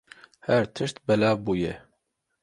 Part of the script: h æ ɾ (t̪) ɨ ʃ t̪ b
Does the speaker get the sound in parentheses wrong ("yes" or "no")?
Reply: yes